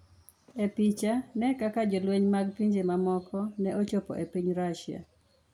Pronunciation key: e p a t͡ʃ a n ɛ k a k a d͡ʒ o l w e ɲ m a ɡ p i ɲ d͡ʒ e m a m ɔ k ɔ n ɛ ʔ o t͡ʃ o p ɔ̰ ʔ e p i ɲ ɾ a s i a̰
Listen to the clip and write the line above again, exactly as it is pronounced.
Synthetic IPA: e p i t͡ʃ a n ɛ k a k a d͡ʒ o l w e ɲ m a ɡ p i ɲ d͡ʒ e m a m ɔ k ɔ n ɛ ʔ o t͡ʃ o p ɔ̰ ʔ e p i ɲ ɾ a ʃ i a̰

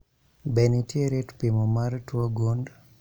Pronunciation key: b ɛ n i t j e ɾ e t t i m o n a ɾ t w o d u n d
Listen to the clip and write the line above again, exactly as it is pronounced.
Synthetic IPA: b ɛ n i t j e ɾ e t p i m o m a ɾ t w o ɡ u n d

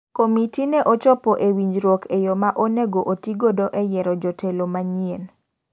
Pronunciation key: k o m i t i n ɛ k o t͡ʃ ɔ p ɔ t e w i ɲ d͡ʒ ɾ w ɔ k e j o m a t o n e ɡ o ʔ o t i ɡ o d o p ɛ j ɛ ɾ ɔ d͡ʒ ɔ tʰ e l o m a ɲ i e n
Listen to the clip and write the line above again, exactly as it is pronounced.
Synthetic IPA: k o m i t i n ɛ ʔ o t͡ʃ ɔ p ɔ ʔ e w i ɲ d͡ʒ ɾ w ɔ k e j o m a ʔ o n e ɡ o ʔ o t i ɡ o d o ʔ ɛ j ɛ ɾ ɔ d͡ʒ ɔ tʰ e l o m a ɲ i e n

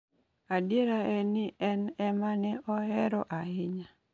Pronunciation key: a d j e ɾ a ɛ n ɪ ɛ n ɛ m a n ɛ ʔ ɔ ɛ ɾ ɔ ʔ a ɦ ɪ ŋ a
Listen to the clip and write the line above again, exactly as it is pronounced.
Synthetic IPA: a d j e ɾ a ɛ n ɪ ɛ n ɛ m a n ɛ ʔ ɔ ɛ ɾ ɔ ʔ a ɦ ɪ ɲ a

